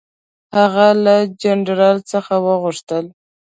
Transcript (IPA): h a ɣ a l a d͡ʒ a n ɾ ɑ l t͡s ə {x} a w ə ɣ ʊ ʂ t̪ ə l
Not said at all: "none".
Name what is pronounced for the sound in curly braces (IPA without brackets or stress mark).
x